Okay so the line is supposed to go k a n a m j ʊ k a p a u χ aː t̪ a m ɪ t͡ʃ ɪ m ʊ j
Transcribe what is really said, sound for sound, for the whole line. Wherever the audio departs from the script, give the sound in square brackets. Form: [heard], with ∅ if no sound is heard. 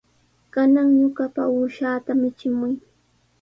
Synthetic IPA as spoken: k a n a [ŋ] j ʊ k a p a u [ʃ] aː t̪ a m ɪ t͡ʃ ɪ m ʊ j